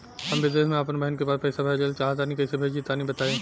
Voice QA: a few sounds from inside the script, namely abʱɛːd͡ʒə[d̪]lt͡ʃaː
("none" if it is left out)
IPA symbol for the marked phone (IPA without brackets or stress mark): none